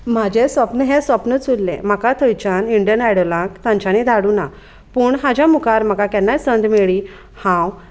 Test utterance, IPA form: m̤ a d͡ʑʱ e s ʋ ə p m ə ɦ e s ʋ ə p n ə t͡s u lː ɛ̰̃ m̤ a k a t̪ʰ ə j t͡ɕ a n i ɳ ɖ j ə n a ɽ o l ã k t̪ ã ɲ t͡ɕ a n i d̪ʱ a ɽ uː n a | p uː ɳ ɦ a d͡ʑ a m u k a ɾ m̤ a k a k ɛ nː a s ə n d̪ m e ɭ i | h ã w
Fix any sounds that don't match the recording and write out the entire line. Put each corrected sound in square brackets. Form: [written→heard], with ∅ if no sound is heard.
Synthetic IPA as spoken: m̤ a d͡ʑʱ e s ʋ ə p [m→n] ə ɦ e s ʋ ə p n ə t͡s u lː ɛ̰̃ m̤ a k a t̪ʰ ə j t͡ɕ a n i ɳ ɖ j ə n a ɽ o l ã k t̪ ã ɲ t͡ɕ a n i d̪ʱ a ɽ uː n a | p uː ɳ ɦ a d͡ʑ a m u k a ɾ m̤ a k a k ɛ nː a s ə n d̪ m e ɭ i | h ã w